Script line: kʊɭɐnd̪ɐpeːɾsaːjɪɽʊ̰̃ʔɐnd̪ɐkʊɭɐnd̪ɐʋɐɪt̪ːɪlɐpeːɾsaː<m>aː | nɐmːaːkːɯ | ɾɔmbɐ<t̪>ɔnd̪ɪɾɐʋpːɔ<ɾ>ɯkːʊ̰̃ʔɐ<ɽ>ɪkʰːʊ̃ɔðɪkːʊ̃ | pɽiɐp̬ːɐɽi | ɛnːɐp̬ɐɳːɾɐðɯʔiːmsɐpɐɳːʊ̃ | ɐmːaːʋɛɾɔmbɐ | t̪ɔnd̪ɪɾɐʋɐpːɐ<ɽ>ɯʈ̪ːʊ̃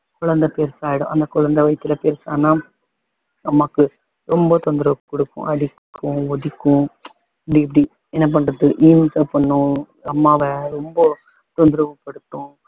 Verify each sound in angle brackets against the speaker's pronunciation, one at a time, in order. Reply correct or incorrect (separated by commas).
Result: incorrect, correct, incorrect, correct, correct